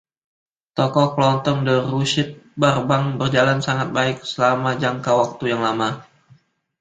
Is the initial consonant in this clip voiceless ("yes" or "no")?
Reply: yes